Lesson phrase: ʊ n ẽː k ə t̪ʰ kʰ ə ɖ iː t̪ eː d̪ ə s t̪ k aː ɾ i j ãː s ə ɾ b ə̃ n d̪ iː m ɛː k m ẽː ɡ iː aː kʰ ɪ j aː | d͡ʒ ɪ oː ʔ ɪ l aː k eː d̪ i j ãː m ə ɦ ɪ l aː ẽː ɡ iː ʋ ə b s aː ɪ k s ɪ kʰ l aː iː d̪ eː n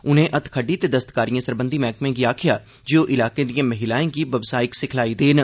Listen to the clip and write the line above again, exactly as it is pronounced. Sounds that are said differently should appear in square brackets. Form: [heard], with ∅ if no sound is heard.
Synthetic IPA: ʊ n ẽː [ʔ] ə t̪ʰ kʰ ə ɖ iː t̪ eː d̪ ə s t̪ k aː ɾ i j ãː s ə ɾ b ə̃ n d̪ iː m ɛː k m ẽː ɡ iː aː kʰ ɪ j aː | d͡ʒ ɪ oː ʔ ɪ l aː k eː d̪ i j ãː m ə ɦ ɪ l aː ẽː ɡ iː ʋ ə b s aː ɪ k s ɪ kʰ l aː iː d̪ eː n